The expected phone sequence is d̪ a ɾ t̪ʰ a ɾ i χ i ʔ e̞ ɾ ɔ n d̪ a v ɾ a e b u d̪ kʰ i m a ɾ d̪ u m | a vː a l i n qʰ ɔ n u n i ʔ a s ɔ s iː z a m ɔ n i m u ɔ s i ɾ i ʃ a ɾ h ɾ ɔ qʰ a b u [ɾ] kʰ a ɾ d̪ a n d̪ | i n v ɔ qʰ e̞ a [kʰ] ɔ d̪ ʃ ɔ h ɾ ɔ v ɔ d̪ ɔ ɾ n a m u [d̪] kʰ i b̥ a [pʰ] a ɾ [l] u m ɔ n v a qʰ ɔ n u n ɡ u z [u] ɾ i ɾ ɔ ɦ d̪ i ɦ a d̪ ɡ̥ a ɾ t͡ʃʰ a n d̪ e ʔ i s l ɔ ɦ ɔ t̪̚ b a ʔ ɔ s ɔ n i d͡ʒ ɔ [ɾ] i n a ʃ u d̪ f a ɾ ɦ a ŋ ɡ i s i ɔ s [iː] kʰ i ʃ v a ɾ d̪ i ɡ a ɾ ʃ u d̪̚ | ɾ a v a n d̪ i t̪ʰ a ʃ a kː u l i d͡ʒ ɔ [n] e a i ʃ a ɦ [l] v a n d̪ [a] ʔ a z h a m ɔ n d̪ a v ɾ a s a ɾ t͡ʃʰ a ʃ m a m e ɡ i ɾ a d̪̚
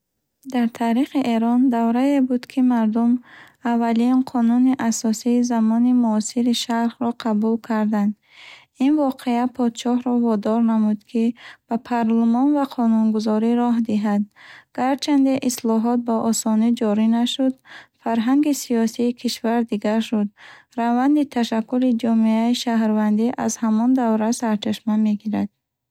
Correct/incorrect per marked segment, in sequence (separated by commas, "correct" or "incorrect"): incorrect, incorrect, correct, correct, correct, incorrect, correct, correct, incorrect, incorrect, incorrect